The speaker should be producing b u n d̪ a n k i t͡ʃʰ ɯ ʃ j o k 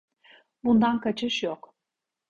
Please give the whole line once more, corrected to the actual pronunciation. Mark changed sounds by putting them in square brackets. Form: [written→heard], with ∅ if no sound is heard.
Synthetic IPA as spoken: b u n d̪ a n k [i→a] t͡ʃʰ ɯ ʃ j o k